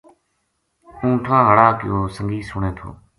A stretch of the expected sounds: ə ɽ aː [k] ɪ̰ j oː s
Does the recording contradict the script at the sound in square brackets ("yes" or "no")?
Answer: no